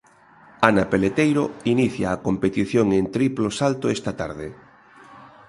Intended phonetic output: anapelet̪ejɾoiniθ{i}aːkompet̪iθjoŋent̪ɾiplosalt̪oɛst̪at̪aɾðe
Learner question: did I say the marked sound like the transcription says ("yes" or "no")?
no